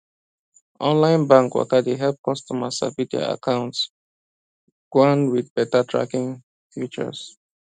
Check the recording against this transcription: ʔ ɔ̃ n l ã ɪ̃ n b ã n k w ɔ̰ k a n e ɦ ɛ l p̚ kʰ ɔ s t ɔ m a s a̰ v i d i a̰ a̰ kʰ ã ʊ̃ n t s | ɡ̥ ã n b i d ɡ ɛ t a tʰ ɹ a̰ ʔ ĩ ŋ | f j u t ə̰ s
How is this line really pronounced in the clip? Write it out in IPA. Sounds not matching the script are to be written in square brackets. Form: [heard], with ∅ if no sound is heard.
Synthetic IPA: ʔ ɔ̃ n l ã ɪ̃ n b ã [ŋ] k w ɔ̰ k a [d] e ɦ ɛ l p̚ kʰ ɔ s t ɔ m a s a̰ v i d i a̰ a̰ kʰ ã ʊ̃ n t s | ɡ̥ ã n [w] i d [b] ɛ t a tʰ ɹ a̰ [k] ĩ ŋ | f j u [t͡ʃ] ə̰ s